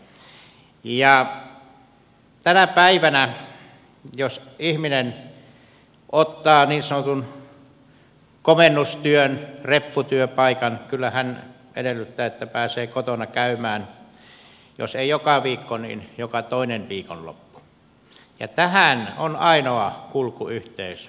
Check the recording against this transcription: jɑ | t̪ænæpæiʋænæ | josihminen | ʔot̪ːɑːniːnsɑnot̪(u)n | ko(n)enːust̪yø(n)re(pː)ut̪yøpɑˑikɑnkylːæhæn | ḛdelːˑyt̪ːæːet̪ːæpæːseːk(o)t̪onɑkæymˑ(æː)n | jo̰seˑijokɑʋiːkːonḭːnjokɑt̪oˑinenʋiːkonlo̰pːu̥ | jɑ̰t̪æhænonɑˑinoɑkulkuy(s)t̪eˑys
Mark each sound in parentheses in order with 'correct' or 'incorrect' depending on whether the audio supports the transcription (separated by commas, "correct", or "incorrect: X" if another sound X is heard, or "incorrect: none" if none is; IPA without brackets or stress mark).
correct, incorrect: m, correct, correct, correct, correct, incorrect: h